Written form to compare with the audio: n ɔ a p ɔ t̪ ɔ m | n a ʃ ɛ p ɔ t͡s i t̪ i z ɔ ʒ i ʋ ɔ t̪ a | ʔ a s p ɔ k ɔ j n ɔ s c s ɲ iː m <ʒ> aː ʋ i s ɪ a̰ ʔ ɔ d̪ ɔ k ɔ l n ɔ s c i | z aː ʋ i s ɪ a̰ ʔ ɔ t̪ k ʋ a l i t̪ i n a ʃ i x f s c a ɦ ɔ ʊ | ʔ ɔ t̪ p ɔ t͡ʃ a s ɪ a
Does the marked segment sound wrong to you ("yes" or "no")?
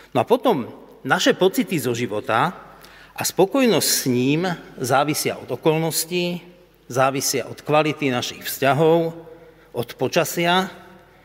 yes